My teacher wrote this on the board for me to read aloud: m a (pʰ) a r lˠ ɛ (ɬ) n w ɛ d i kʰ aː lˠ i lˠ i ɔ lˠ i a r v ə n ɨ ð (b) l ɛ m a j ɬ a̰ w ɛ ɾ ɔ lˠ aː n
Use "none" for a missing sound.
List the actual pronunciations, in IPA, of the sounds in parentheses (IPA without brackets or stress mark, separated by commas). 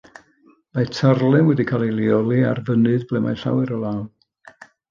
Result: tʰ, none, b